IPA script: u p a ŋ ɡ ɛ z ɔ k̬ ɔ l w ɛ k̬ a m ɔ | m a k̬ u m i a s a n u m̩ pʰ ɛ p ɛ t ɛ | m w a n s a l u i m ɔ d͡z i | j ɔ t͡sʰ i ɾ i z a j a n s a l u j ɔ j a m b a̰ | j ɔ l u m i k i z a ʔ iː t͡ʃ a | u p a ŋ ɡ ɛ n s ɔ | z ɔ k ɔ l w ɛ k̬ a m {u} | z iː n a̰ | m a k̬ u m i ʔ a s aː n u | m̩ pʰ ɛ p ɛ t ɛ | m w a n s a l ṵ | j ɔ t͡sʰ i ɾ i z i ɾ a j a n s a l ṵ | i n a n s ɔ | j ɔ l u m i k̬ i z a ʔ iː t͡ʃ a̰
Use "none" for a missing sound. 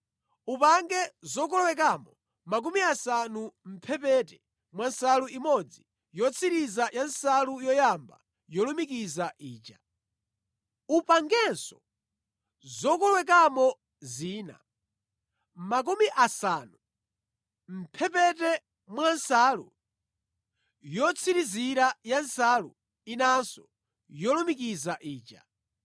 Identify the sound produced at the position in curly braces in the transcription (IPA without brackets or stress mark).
ɔ